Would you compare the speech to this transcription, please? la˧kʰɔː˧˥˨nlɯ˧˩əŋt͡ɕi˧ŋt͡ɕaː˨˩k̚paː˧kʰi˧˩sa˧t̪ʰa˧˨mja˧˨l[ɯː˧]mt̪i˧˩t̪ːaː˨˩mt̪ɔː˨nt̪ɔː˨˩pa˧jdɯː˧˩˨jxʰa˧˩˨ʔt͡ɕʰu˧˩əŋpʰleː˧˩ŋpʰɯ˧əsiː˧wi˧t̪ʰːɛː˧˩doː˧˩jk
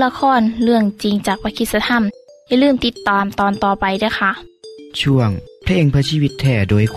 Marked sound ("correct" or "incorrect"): incorrect